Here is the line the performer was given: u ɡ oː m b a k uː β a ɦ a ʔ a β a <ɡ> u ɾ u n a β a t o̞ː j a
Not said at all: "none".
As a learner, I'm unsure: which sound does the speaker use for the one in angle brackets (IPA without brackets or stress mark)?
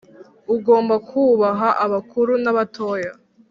k